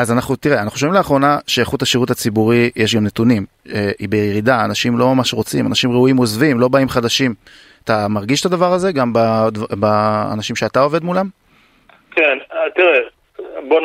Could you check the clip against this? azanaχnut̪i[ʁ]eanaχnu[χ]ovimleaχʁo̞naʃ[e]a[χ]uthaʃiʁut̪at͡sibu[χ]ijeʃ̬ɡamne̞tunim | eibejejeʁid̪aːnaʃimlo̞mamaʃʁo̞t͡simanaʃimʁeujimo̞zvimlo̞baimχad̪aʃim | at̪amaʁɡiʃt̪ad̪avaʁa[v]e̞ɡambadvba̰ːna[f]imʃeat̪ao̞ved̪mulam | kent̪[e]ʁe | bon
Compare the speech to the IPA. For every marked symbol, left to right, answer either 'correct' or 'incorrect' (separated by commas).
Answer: correct, incorrect, correct, correct, incorrect, incorrect, incorrect, incorrect